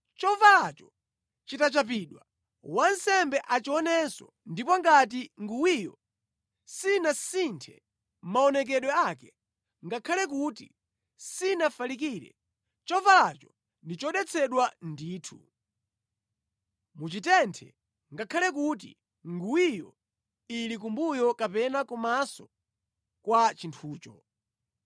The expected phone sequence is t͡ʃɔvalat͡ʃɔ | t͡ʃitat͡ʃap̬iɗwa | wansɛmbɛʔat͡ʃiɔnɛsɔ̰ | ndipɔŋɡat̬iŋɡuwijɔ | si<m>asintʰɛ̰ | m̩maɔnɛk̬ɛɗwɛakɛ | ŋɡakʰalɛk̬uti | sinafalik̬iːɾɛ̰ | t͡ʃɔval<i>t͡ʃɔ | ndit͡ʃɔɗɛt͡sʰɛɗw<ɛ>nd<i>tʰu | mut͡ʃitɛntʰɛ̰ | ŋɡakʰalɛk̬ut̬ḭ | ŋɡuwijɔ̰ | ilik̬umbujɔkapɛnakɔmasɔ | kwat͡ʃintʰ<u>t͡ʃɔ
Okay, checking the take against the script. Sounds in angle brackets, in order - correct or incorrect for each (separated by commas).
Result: incorrect, incorrect, incorrect, incorrect, incorrect